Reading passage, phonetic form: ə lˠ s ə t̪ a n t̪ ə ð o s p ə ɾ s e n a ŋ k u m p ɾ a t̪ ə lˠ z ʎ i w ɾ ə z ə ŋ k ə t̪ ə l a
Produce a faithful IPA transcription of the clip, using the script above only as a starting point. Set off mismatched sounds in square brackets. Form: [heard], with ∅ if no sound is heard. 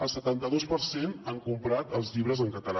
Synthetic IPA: ə lˠ s ə t̪ a n t̪ ə ð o s p ə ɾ s e n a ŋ k u m p ɾ a t̪ ə lˠ z ʎ i [β] ɾ ə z ə ŋ k ə t̪ ə l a

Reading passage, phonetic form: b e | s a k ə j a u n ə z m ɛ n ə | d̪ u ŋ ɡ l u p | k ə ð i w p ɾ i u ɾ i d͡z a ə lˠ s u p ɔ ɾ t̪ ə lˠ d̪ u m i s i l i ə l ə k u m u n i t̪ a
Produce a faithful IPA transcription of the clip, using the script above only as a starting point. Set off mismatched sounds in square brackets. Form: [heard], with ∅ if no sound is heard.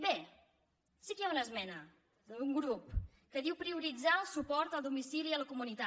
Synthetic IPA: b e | s [i] k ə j a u n ə z m ɛ n ə | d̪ u ŋ ɡ [ɾ] u p | k ə ð i w p ɾ i u ɾ i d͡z a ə lˠ s u p ɔ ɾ t̪ ə lˠ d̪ u m i s i l i ə l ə k u m u n i t̪ a

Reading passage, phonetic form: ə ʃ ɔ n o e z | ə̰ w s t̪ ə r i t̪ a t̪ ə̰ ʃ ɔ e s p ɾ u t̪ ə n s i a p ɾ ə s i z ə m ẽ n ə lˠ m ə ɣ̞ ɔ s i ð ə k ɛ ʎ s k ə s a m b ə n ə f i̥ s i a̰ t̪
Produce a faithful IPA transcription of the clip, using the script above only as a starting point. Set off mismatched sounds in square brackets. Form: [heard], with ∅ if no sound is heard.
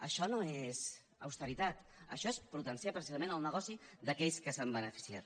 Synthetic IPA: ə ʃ ɔ n o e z | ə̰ w s t̪ ə [ɾ] i t̪ a t̪ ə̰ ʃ ɔ e s p ɾ u t̪ ə n s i a p ɾ ə s i z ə m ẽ n ə lˠ [n] ə ɣ̞ ɔ s i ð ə k ɛ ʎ s k ə s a m b ə n ə f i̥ s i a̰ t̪

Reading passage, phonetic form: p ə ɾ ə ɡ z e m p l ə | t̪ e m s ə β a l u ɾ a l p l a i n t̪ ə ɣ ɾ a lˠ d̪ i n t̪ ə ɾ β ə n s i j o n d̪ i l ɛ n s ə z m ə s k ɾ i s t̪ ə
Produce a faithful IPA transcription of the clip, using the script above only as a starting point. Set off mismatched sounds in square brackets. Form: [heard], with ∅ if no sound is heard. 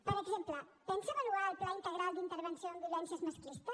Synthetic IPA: p ə ɾ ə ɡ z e m p l ə | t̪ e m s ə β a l u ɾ a l p l a i n t̪ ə ɣ ɾ a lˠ d̪ i n t̪ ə ɾ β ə n s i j o n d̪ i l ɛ n s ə z m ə s k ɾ i s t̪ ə

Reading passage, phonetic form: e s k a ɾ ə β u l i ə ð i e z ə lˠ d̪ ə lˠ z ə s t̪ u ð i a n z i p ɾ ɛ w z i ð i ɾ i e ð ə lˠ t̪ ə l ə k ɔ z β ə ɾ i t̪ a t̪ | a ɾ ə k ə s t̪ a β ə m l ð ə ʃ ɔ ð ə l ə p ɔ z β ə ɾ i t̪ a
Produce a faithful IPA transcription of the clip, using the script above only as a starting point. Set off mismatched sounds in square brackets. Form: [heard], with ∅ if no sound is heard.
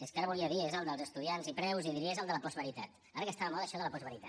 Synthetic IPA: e s k a ɾ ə β u l i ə ð i e z ə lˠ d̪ ə lˠ z ə s t̪ u ð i a n z i p ɾ ɛ w z i ð i ɾ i e [z] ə lˠ [d̪] ə l ə [p] ɔ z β ə ɾ i t̪ a t̪ | a ɾ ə k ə s t̪ a β ə m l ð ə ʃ ɔ ð ə l ə p ɔ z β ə ɾ i t̪ a

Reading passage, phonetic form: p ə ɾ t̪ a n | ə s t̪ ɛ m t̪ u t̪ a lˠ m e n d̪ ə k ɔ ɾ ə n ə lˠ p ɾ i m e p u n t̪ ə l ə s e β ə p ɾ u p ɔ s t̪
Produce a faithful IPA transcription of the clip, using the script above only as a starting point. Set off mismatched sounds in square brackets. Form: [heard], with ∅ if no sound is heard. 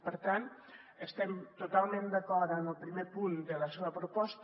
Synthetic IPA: p ə ɾ t̪ a n | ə s t̪ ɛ m t̪ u t̪ a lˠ m e n d̪ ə k ɔ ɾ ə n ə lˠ p ɾ i m e p u n [d̪] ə l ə s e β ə p ɾ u p ɔ s t̪

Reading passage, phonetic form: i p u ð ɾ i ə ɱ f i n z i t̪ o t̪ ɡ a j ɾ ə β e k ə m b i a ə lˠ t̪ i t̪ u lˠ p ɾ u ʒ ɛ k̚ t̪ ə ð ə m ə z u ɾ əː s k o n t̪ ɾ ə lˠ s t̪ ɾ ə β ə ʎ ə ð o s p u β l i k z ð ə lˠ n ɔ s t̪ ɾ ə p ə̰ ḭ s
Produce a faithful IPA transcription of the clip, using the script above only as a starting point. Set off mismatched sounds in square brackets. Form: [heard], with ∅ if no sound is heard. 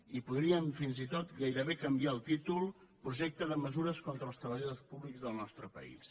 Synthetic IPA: i p u ð ɾ i ə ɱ f i n z i t̪ o t̪ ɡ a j ɾ ə β e k ə m b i a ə lˠ t̪ i t̪ u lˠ p ɾ u ʒ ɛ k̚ t̪ ə ð ə m ə z u ɾ [ə] s k o n t̪ ɾ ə lˠ s t̪ ɾ ə β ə ʎ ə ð o s p u β l i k z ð ə lˠ n ɔ s t̪ ɾ ə p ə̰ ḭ s

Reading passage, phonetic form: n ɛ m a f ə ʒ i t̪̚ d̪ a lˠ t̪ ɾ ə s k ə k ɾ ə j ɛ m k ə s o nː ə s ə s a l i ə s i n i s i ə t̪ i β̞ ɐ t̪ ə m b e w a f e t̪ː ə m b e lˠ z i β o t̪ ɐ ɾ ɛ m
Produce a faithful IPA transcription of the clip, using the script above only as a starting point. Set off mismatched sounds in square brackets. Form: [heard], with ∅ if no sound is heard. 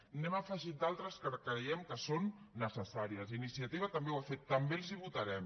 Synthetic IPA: n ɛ m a f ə ʒ i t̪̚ d̪ a lˠ t̪ ɾ ə s k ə k ɾ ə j ɛ m k ə s o nː ə s ə s a [ɾ] i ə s i n i s i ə t̪ i β̞ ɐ t̪ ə m b e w a f e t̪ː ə m b e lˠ z i β [u] t̪ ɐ ɾ ɛ m

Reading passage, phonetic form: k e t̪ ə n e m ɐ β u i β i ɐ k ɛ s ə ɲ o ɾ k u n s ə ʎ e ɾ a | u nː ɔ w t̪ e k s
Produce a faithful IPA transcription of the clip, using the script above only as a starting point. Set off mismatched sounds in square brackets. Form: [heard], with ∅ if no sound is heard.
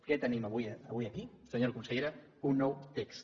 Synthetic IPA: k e t̪ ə n [i] m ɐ β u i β i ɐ k [i] s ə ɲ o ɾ k u n s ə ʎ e ɾ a | u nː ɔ w t̪ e k s

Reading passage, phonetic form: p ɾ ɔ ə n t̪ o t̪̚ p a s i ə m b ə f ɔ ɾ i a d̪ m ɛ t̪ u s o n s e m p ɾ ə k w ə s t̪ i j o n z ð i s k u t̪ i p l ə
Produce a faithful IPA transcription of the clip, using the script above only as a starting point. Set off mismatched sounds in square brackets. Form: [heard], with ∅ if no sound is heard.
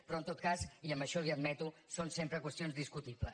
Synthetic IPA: p ɾ ɔ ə n t̪ o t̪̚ [k] a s i ə m b ə [ʃ] ɔ [l] i [ə] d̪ m ɛ t̪ u s o n s e m p ɾ ə k w ə s t̪ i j o n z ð i s k u t̪ i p l ə

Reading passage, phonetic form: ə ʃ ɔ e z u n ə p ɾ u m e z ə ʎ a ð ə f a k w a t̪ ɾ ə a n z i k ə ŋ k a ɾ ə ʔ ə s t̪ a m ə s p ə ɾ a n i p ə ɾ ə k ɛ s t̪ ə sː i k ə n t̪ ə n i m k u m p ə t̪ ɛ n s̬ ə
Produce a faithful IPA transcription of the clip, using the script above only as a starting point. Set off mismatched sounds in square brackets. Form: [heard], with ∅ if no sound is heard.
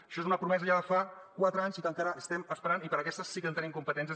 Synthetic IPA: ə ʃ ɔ e z u n ə p ɾ u m [ɛ] z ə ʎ a ð ə f a k w a t̪ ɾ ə a [ɲ] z i k ə ŋ k a ɾ ə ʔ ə s t̪ [ɛ] m ə s p ə ɾ a n i p ə ɾ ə k ɛ s t̪ ə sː i k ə n t̪ ə n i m k u m p ə t̪ ɛ n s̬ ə

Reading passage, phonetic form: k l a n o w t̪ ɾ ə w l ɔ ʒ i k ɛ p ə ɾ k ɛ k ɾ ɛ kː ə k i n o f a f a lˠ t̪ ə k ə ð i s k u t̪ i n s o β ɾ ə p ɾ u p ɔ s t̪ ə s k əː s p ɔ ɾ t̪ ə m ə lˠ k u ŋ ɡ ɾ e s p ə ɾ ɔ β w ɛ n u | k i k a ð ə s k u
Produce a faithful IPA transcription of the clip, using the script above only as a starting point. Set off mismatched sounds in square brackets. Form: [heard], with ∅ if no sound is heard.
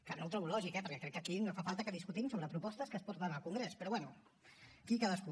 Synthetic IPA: k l a n o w t̪ ɾ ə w l ɔ ʒ i k ɛ p ə ɾ k ɛ k ɾ ɛ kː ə k i n o f a f a lˠ t̪ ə k ə ð i s k u t̪ i [m] s o β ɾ ə p ɾ u p ɔ s t̪ ə s k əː s p ɔ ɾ t̪ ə [n] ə lˠ k u ŋ ɡ ɾ e s p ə ɾ ɔ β w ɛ n u | k i k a ð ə s k u

